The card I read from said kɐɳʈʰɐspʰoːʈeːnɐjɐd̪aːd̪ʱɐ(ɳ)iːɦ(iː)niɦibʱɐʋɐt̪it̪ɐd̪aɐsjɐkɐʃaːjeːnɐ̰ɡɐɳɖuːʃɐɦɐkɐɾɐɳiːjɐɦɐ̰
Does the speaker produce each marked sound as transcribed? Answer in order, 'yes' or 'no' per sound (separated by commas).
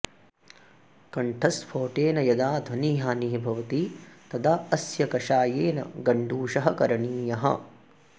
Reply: no, no